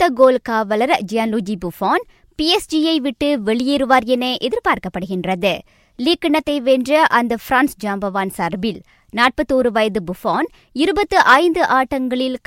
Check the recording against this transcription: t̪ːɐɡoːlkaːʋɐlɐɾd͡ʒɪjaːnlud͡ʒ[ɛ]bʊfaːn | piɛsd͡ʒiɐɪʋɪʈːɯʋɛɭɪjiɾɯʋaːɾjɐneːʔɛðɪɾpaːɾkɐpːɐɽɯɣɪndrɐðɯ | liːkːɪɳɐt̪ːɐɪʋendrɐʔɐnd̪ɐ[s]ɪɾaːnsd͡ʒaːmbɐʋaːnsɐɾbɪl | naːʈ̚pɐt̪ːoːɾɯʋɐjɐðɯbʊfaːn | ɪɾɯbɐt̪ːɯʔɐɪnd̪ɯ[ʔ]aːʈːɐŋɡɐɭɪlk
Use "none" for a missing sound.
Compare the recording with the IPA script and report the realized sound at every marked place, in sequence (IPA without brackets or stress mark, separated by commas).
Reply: i, f, ʔ